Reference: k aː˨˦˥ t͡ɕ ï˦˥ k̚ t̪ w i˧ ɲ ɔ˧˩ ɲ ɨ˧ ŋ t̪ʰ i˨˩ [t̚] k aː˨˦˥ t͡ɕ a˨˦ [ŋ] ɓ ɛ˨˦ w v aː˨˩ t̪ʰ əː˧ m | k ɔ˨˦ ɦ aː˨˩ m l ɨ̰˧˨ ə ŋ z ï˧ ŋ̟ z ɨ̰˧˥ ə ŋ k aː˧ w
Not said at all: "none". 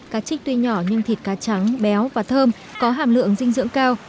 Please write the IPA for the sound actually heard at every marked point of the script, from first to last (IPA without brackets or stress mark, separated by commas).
t̚, ŋ